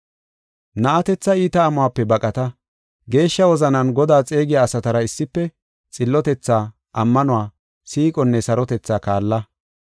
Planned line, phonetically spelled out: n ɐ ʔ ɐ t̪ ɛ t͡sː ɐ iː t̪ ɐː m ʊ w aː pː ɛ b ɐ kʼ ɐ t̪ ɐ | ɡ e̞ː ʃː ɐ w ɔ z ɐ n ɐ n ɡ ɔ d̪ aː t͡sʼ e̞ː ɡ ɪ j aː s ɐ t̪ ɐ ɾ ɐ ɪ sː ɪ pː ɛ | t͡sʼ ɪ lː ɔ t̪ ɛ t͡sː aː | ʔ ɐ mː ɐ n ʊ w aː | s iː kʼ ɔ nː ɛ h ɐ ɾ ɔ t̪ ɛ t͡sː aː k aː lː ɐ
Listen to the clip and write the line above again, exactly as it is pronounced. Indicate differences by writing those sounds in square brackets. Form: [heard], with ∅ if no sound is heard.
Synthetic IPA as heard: n ɐ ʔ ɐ t̪ ɛ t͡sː ɐ iː t̪ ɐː m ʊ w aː pː ɛ b ɐ kʼ ɐ t̪ ɐ | ɡ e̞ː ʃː ɐ w ɔ z ɐ n ɐ n ɡ ɔ d̪ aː t͡sʼ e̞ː ɡ ɪ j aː s ɐ t̪ ɐ ɾ ɐ ɪ sː ɪ pː ɛ | t͡sʼ ɪ lː ɔ t̪ ɛ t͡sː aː | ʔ ɐ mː ɐ n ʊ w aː | s iː kʼ ɔ nː ɛ [s] ɐ ɾ ɔ t̪ ɛ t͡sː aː k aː lː ɐ